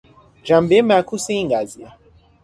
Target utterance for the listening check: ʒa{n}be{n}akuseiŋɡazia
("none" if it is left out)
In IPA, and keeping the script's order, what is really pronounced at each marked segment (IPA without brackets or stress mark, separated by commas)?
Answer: m, m